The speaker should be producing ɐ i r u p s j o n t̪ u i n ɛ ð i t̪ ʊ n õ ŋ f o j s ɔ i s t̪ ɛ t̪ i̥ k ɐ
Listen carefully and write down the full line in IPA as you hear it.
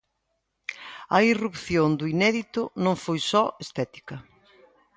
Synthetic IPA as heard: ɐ i r u p θ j o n d̪ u i n ɛ ð i t̪ ʊ n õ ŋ f o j s ɔ e s t̪ ɛ t̪ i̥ k ɐ